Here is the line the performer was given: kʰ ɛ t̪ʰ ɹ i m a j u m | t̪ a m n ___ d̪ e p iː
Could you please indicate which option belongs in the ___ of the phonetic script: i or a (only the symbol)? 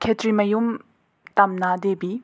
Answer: a